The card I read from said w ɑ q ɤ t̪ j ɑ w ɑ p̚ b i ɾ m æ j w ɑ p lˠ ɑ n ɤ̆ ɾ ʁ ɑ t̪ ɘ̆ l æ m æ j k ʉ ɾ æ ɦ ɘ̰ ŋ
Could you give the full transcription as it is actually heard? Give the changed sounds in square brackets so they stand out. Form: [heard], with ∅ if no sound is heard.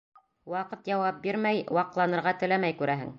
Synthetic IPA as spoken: w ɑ q ɤ t̪ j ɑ w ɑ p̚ b i ɾ m æ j w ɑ [q] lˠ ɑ n ɤ̆ ɾ ʁ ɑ t̪ ɘ̆ l æ m æ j k ʉ ɾ æ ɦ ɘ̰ ŋ